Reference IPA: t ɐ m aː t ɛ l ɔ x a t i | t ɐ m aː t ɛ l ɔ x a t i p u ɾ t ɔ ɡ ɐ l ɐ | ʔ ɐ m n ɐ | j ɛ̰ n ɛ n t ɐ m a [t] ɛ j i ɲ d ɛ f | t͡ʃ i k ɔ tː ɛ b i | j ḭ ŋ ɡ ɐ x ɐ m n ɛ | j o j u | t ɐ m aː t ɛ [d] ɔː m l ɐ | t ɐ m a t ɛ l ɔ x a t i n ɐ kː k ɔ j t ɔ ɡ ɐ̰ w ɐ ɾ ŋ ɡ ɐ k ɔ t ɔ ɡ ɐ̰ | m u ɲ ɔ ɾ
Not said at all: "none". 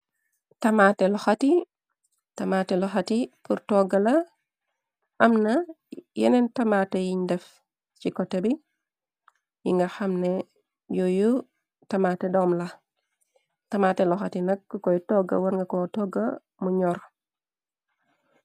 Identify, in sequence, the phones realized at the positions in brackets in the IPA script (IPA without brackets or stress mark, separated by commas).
t, d